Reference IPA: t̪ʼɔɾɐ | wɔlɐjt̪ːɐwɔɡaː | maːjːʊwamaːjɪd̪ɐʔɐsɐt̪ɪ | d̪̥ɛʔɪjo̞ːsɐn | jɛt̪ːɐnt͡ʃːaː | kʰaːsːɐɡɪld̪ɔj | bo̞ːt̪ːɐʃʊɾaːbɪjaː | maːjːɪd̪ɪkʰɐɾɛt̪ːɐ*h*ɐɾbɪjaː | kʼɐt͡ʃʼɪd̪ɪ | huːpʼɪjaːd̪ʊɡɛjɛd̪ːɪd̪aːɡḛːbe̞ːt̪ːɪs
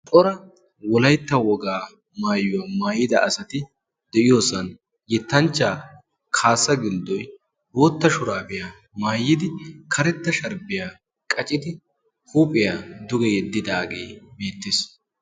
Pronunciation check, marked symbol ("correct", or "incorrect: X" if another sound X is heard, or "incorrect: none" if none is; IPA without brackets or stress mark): incorrect: ʃ